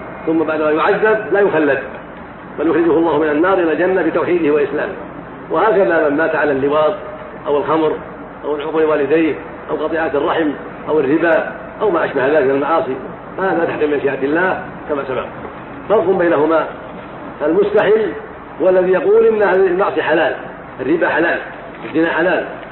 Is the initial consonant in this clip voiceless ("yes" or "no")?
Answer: yes